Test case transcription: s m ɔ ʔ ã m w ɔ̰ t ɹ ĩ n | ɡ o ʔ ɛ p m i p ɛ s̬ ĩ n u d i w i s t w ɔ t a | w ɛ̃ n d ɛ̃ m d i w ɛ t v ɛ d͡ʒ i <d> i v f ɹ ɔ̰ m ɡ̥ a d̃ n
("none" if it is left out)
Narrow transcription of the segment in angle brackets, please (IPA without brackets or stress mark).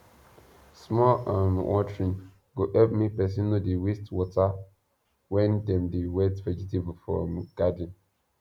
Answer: t